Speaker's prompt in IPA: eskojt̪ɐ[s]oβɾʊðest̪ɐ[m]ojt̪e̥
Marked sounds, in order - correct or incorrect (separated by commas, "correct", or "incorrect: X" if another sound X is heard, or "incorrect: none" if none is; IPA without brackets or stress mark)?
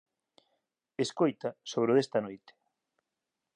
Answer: correct, incorrect: n